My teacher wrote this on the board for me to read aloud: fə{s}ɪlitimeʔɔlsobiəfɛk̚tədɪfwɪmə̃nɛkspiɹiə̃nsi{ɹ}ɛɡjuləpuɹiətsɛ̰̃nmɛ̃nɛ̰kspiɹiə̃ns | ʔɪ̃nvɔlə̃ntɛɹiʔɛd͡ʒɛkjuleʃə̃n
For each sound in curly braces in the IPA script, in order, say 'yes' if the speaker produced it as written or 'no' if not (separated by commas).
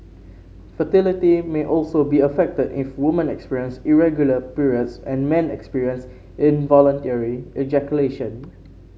no, yes